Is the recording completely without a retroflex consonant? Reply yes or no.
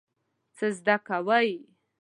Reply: yes